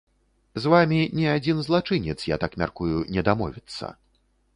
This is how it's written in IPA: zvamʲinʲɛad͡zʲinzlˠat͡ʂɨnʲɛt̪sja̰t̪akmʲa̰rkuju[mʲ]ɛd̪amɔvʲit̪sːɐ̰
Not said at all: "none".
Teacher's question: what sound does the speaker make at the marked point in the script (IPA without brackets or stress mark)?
nʲ